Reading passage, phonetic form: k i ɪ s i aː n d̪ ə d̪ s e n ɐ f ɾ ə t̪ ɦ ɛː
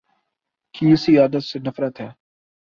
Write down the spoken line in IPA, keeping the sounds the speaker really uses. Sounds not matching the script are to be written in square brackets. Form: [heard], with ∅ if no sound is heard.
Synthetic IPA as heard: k i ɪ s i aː [∅] d̪ ə [t̪] s e n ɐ f ɾ ə t̪ ɦ ɛː